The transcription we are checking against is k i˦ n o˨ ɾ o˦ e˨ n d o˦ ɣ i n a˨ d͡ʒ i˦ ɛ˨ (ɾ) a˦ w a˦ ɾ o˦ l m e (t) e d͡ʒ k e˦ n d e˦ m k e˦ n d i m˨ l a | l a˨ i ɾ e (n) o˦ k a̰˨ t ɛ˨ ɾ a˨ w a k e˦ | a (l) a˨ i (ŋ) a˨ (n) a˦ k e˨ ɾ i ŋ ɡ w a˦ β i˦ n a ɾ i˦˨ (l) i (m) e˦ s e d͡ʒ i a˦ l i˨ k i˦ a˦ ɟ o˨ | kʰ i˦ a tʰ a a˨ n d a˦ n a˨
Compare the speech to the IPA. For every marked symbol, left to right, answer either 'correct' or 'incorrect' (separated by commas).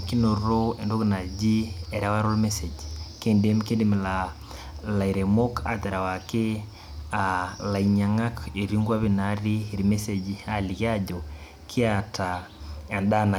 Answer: correct, incorrect, incorrect, correct, incorrect, incorrect, incorrect, correct